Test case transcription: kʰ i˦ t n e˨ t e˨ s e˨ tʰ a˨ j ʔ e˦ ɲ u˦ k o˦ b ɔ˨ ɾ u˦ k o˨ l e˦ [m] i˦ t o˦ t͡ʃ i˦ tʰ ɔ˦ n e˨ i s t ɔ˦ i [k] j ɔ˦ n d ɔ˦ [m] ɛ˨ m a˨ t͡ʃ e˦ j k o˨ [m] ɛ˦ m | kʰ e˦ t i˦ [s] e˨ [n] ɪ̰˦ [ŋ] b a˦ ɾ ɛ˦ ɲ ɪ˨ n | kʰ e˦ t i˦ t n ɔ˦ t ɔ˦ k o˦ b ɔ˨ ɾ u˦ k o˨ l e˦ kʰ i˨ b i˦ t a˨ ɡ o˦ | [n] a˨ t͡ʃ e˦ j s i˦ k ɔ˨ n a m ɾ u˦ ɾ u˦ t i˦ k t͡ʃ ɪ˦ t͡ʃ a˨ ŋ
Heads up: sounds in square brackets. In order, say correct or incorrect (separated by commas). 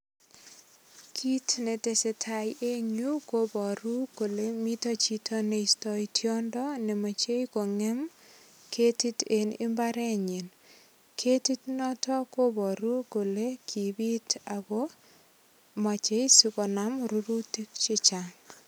correct, incorrect, incorrect, incorrect, incorrect, correct, incorrect, incorrect